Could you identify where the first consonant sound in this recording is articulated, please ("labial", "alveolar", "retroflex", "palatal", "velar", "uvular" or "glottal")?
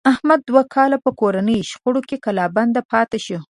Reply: glottal